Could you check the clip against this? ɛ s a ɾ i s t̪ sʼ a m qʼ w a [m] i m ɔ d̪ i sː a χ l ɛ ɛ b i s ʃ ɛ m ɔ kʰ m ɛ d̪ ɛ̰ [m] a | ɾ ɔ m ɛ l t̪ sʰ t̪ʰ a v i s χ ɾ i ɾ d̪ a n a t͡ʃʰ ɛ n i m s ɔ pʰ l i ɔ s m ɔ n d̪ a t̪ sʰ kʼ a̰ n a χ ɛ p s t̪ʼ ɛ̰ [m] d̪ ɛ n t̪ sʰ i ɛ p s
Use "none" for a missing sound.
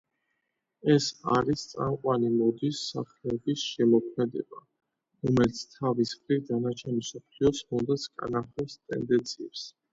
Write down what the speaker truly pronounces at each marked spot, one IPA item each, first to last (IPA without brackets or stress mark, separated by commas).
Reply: n, b, n